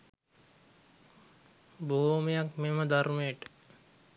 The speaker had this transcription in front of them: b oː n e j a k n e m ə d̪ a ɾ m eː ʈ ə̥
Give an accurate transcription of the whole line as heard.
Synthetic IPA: b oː m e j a k m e m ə d̪ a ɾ m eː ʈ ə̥